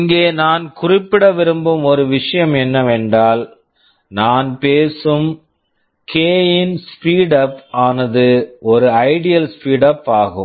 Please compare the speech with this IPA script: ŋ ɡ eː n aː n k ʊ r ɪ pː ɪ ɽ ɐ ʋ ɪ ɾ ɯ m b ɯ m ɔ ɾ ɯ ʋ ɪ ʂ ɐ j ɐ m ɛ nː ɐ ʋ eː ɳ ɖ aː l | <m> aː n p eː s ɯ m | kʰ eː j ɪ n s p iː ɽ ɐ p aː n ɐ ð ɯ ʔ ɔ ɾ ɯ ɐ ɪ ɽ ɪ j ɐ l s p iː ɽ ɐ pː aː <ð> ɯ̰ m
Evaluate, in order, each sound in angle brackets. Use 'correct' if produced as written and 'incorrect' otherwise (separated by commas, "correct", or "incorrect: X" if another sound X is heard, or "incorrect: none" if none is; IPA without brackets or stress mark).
incorrect: n, incorrect: ɣ